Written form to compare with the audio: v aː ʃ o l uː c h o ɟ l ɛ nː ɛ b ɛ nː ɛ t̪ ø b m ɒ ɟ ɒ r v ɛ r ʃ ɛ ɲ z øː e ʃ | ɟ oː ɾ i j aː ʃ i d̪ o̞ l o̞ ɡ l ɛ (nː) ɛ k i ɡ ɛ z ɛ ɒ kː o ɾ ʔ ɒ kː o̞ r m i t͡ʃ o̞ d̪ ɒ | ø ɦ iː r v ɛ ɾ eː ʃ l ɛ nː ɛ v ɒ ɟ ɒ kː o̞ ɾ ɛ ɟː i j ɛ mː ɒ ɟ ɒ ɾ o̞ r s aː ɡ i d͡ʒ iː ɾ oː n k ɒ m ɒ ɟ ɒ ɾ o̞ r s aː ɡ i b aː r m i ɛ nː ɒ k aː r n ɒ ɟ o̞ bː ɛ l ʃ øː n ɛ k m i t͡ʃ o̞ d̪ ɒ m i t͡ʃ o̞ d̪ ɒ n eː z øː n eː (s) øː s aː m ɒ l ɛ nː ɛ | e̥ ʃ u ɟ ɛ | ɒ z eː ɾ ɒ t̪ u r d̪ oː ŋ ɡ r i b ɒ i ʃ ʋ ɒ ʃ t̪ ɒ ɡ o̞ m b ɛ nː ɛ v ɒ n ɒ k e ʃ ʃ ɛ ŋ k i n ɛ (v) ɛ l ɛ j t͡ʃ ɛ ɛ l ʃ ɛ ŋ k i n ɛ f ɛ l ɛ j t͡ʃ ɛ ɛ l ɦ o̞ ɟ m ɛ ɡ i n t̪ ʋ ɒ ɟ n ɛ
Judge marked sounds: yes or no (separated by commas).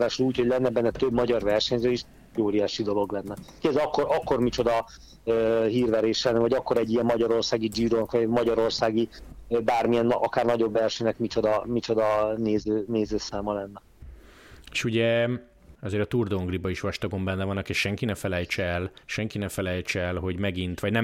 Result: yes, no, no